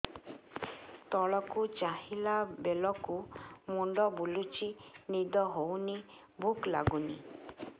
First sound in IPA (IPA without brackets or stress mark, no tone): t̪